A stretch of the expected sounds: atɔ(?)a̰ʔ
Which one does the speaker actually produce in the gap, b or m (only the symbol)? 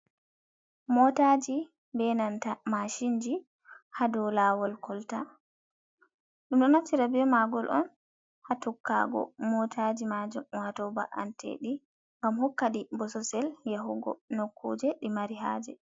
b